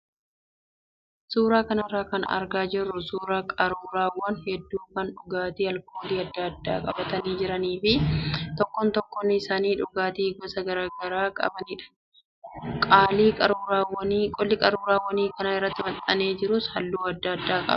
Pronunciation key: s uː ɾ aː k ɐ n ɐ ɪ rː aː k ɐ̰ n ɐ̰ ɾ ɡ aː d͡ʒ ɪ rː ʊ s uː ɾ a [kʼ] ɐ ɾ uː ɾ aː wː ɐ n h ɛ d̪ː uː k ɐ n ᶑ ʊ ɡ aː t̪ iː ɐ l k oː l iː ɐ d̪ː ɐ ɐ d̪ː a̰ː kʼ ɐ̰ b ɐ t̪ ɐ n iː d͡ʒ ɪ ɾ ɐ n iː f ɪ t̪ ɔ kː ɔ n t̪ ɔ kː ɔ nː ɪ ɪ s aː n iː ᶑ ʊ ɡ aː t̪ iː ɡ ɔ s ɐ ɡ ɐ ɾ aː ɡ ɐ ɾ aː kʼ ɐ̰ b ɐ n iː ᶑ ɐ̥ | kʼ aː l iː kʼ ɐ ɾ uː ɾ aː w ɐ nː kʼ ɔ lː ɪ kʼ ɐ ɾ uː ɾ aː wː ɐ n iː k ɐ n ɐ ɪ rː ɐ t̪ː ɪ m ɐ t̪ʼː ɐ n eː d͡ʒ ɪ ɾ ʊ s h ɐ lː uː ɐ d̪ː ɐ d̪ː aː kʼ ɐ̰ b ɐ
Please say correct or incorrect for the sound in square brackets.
correct